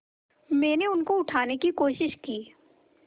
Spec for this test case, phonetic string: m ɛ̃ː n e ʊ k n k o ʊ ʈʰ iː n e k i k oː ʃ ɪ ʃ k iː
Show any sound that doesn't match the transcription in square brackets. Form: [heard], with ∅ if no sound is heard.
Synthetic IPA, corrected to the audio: m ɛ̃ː n e ʊ [∅] n k o ʊ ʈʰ [aː] n e k i k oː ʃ ɪ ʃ k iː